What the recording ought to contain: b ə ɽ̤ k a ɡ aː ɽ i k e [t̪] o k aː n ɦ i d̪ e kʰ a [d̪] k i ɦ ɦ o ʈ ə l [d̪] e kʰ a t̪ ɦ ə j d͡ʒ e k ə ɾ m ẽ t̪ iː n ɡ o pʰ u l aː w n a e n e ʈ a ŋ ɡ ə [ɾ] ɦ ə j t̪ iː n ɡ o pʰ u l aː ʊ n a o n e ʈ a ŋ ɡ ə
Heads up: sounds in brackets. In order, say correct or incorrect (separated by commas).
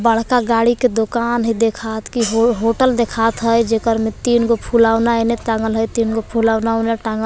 incorrect, incorrect, correct, incorrect